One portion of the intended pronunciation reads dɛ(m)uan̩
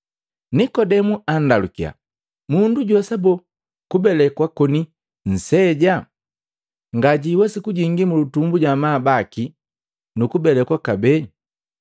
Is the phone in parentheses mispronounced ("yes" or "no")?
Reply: no